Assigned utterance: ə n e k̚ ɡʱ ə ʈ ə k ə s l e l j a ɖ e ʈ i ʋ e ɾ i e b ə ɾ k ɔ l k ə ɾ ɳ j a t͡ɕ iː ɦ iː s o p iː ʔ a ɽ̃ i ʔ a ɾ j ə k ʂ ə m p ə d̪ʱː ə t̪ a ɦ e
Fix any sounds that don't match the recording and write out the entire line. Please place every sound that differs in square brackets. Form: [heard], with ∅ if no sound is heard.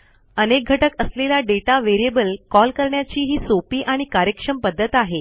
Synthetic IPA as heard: ə n e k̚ ɡʱ ə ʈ ə k ə s l e l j a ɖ e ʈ [a] ʋ e ɾ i e b ə [l] k ɔ l k ə ɾ ɳ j a t͡ɕ iː ɦ iː s o p iː ʔ a ɽ̃ i [k] a ɾ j ə k ʂ ə m p ə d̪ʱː ə t̪ a ɦ e